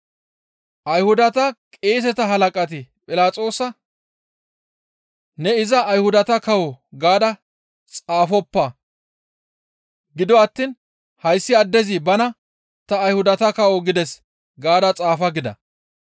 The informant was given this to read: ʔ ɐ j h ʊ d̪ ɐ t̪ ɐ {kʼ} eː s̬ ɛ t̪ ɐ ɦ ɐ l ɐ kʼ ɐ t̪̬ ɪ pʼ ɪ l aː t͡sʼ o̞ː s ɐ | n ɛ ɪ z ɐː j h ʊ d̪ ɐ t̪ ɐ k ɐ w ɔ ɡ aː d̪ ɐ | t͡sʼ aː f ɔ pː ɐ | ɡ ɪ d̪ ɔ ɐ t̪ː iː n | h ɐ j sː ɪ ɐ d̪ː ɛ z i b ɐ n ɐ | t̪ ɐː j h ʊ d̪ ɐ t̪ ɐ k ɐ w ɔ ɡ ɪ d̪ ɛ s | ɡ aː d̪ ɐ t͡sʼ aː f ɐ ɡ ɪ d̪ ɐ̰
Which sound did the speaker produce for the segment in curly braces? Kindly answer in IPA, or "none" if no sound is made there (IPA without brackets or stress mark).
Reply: kʼ